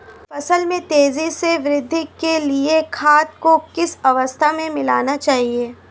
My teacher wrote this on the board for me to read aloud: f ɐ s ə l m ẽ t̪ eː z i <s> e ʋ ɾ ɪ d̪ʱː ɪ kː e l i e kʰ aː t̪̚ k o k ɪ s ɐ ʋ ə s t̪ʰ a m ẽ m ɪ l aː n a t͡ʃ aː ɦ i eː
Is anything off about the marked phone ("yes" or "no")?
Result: no